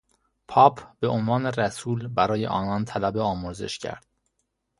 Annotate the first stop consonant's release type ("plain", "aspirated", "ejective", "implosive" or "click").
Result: aspirated